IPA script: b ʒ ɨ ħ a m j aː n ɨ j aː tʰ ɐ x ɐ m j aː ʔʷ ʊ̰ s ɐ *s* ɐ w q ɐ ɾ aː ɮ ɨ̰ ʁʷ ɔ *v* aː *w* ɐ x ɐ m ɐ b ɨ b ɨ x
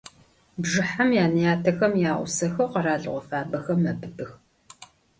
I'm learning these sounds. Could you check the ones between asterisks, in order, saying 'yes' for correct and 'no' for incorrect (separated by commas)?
no, no, no